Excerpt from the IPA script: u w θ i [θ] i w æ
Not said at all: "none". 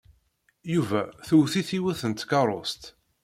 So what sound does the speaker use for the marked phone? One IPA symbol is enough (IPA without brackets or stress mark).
θ